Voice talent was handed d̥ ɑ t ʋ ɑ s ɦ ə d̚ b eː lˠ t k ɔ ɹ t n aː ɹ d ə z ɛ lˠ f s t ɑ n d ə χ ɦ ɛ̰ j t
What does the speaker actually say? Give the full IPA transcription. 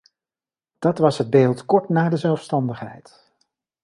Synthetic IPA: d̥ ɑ t ʋ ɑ s ɦ ə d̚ b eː lˠ t k ɔ ɹ t n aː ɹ d ə z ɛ lˠ f s t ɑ n d ə χ ɦ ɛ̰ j t